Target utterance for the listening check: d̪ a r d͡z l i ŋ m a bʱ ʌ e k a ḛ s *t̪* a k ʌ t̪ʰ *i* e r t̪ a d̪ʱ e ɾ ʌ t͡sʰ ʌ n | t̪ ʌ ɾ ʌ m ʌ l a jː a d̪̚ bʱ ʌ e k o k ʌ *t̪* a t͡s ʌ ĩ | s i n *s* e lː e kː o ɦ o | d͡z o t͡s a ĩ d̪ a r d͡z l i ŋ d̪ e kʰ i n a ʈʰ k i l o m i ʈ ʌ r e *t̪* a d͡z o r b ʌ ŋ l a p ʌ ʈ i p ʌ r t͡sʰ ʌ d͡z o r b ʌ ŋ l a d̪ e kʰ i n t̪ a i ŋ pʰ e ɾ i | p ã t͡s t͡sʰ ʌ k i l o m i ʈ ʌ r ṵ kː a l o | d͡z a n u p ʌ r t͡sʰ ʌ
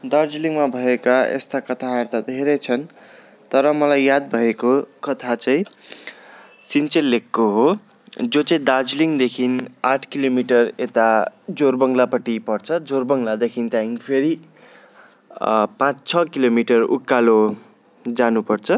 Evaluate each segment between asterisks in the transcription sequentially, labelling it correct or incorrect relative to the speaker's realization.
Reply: correct, incorrect: a, incorrect: t̪ʰ, incorrect: t͡s, correct

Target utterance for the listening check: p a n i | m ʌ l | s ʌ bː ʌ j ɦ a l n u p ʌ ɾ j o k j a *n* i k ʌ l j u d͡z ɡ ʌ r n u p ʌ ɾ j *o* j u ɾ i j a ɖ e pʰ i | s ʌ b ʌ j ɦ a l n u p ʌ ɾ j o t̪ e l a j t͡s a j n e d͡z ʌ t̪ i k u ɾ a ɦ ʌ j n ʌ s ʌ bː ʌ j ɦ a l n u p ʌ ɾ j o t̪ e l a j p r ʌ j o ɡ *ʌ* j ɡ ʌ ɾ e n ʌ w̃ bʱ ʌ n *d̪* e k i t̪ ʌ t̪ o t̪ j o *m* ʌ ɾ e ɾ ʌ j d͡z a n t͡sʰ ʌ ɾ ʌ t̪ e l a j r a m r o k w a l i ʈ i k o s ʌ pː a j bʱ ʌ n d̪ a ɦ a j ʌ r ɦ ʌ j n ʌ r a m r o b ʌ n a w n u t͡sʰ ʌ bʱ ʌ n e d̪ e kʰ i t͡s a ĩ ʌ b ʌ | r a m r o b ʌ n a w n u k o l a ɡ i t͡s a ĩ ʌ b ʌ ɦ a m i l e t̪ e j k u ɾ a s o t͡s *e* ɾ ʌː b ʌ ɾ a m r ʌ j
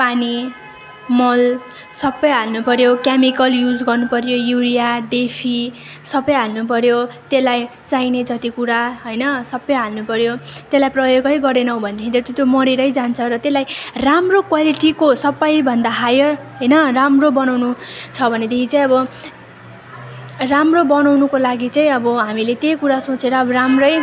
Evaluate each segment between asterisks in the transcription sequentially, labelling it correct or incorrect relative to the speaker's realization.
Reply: incorrect: m, correct, correct, correct, correct, correct

